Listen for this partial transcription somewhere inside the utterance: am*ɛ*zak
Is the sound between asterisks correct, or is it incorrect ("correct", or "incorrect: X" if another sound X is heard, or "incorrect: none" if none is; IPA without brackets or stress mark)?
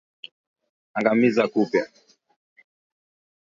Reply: incorrect: i